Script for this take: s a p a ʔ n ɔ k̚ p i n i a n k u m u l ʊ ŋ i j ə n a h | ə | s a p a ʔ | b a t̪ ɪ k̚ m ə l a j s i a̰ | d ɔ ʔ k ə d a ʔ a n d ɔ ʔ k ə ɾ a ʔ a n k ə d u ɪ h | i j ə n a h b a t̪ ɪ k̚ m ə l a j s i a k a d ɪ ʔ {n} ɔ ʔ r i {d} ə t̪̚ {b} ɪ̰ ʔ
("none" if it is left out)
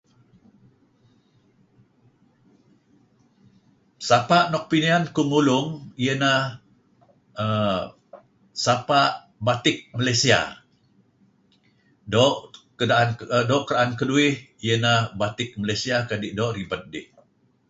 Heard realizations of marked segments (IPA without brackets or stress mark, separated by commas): d, b, d